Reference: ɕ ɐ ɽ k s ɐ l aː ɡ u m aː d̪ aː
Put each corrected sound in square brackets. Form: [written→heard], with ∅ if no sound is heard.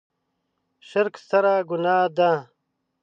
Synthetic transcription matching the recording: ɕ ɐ [ɽ→ɾ] k s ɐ [l→ɾ] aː ɡ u [m→n] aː d̪ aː